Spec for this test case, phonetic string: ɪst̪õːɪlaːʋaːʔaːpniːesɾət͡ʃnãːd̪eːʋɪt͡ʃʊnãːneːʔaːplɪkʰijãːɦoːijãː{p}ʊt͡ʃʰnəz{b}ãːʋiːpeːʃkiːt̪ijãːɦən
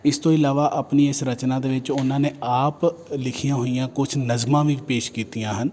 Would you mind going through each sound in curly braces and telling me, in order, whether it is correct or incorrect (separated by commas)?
incorrect, incorrect